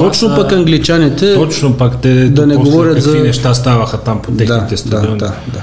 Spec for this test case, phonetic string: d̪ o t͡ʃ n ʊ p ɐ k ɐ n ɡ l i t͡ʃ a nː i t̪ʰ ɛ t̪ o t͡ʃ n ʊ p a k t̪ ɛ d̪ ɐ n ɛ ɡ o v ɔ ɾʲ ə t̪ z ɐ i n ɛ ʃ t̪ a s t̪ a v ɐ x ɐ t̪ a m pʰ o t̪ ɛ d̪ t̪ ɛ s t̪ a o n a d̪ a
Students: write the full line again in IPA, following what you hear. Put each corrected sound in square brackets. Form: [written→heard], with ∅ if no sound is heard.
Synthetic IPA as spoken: [d̪→t̪] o t͡ʃ n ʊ p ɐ k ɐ [n→ŋ] ɡ l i t͡ʃ a [nː→n] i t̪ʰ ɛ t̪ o t͡ʃ n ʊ p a k t̪ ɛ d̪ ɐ n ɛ ɡ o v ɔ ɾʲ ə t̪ z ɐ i n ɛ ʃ t̪ a s t̪ a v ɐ x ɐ t̪ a m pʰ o t̪ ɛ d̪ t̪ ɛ s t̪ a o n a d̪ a